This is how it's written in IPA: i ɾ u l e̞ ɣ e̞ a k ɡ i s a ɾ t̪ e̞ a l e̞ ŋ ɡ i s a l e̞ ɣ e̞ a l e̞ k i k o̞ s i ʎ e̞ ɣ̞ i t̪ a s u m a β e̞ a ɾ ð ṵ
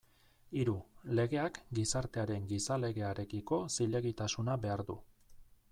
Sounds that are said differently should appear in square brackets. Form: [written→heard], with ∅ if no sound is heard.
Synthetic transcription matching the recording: i ɾ u l e̞ ɣ e̞ a k ɡ i s a ɾ t̪ e̞ a [l→ɾ] e̞ ŋ ɡ i s a l e̞ ɣ e̞ a [l→ɾ] e̞ k i k o̞ s i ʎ e̞ ɣ̞ i t̪ a s u [m→n] a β e̞ a ɾ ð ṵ